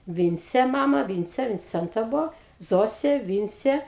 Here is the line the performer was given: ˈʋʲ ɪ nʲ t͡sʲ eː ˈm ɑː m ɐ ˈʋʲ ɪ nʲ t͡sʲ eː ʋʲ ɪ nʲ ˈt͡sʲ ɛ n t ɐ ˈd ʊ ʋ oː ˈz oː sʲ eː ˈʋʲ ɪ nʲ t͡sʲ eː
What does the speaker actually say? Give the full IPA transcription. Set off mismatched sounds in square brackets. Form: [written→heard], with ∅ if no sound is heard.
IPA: ˈʋʲ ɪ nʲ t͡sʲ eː ˈm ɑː m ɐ ˈʋʲ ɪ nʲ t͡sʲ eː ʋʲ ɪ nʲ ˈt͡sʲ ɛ n t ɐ [ˈd→ˈb] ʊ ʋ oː ˈz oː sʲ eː ˈʋʲ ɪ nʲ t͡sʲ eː